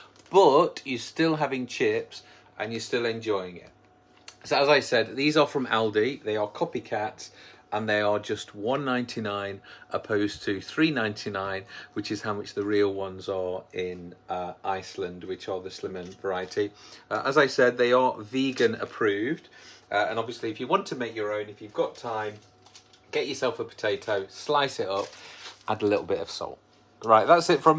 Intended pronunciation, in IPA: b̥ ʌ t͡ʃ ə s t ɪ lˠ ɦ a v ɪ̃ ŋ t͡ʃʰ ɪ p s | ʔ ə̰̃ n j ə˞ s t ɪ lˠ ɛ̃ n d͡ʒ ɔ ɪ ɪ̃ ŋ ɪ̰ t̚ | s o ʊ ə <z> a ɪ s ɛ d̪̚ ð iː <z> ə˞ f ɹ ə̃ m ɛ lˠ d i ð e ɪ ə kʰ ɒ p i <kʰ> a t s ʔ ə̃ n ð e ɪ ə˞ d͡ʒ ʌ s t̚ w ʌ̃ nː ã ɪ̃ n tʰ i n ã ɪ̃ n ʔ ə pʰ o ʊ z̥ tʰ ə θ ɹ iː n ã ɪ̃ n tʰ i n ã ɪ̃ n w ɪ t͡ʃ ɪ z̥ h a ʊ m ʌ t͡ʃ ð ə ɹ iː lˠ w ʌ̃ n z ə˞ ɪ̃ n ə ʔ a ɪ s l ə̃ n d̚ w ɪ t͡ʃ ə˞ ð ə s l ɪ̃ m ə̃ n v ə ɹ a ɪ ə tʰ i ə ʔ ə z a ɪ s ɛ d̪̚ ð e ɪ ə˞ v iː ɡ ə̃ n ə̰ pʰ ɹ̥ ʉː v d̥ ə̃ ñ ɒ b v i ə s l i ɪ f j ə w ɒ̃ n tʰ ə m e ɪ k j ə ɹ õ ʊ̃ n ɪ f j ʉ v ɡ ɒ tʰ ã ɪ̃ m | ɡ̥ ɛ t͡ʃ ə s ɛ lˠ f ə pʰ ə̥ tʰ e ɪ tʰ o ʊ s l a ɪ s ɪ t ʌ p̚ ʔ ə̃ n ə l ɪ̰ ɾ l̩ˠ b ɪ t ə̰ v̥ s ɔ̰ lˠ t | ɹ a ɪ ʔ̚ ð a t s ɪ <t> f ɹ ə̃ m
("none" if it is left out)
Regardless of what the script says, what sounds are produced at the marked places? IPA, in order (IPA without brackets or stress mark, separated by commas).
z, z, kʰ, t